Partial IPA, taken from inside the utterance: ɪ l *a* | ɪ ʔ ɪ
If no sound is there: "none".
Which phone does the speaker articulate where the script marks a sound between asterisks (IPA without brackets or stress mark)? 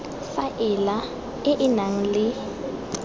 a